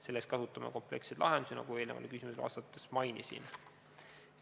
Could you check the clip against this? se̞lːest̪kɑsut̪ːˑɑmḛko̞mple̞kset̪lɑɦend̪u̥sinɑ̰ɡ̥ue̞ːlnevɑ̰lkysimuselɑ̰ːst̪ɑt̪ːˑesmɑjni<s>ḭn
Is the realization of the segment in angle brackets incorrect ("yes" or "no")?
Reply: no